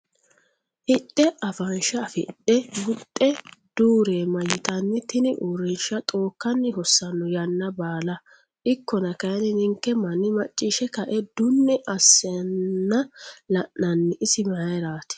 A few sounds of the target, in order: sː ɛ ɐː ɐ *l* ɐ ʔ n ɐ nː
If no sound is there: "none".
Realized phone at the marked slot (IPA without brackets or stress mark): l